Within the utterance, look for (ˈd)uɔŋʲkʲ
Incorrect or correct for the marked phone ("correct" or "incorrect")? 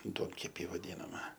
correct